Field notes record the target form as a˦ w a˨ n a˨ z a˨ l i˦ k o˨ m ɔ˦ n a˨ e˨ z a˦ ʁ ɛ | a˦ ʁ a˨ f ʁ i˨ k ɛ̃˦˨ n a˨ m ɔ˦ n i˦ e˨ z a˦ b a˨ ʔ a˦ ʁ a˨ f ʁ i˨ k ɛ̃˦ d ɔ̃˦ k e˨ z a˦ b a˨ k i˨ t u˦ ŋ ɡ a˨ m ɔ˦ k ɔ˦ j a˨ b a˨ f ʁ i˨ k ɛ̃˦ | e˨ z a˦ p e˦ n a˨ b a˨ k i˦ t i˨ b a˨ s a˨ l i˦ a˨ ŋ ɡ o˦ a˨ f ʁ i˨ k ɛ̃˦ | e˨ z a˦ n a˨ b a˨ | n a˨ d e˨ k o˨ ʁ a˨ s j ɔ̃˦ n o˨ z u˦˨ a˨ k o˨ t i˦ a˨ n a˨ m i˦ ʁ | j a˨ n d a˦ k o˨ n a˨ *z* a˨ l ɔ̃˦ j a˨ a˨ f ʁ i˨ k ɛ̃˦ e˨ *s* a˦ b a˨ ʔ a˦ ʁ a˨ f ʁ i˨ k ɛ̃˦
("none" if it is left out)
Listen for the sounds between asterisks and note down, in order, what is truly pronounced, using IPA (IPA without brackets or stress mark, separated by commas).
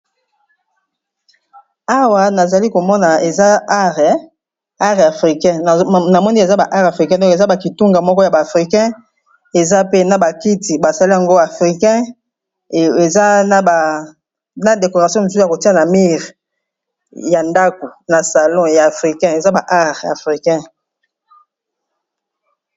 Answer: s, z